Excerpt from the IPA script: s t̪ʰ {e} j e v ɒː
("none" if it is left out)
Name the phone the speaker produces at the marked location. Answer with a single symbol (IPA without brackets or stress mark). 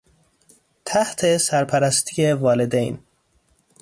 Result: i